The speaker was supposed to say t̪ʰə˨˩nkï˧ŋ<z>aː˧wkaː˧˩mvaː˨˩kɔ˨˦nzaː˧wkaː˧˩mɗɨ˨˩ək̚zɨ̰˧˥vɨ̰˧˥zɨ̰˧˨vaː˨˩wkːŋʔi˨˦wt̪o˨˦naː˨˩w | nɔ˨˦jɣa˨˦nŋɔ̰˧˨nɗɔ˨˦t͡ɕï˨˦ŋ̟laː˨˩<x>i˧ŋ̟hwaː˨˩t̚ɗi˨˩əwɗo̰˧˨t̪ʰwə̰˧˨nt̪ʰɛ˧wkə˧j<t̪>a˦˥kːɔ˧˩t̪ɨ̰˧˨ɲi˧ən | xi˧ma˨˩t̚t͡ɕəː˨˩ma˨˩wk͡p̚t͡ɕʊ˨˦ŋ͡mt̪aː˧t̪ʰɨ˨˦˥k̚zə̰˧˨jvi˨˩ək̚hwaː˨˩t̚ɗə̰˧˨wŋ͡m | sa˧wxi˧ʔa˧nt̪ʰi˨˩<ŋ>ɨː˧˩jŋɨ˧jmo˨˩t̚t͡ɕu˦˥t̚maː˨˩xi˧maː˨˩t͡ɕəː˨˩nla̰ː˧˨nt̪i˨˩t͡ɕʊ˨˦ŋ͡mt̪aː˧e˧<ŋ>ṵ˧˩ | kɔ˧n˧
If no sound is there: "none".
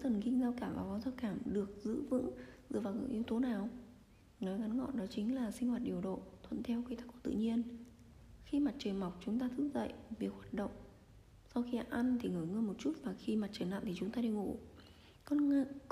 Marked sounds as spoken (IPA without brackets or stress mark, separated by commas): z, s, t̪, ŋ, ŋ